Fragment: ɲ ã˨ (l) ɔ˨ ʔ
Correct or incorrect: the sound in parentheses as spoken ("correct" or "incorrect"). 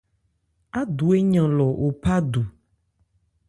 correct